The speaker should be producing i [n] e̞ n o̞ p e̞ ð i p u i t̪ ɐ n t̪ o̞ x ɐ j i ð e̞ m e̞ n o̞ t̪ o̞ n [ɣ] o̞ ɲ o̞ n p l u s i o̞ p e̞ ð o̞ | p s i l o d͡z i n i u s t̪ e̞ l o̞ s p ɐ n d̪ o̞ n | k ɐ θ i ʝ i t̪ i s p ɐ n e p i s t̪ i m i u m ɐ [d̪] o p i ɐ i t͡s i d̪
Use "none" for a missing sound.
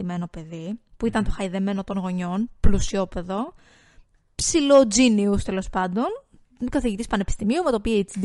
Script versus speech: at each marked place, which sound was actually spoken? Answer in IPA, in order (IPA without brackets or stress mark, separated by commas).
m, ɣ, t̪